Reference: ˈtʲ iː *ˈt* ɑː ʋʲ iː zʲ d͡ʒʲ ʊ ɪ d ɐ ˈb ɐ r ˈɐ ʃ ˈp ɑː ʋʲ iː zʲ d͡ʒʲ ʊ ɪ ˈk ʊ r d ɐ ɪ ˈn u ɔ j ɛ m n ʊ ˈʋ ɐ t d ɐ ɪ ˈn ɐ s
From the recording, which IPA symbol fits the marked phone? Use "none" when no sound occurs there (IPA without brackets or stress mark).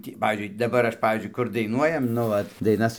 p